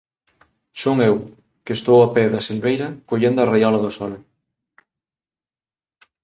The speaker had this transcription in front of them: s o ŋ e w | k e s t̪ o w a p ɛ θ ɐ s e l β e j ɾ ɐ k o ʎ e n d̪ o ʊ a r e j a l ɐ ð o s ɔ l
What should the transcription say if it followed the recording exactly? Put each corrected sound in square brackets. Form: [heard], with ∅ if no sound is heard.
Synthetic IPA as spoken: s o ŋ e w | k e s t̪ o w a p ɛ [ð] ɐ s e l β e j ɾ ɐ k o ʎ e n d̪ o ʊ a r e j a l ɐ ð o s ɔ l